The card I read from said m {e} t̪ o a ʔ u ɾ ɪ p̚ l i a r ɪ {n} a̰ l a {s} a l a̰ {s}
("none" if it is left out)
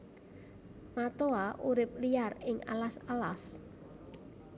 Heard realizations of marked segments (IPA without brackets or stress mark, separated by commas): a, ŋ, s, s